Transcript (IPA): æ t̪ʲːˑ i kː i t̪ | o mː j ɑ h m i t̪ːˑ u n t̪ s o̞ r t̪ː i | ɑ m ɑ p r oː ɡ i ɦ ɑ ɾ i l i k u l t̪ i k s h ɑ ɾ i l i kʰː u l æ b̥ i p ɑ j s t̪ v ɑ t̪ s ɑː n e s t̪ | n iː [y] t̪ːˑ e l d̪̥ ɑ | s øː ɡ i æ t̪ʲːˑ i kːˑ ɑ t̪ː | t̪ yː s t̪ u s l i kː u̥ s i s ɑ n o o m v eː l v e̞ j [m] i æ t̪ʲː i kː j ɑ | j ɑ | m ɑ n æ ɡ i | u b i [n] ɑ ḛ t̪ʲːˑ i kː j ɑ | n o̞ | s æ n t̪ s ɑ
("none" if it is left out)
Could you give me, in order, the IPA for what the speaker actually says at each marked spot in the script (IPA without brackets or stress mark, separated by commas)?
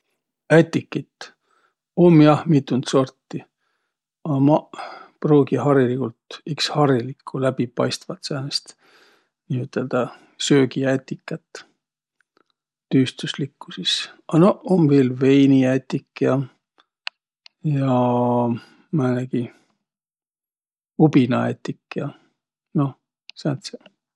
y, n, n